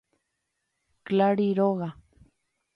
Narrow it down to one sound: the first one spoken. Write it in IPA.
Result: k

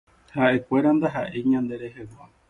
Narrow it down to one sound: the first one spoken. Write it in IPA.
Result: h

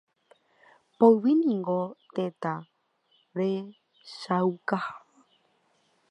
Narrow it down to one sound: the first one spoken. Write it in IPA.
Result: p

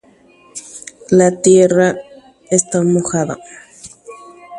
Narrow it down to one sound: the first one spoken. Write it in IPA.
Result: l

